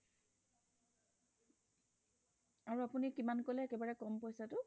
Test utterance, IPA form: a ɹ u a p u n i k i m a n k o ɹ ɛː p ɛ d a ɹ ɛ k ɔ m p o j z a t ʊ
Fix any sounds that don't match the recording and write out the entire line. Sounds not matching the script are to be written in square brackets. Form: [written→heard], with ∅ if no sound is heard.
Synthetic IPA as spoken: a ɹ u a p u n i k i m a n k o [ɹ→l] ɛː [p→k] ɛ [d→b] a ɹ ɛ k ɔ m p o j [z→s] a t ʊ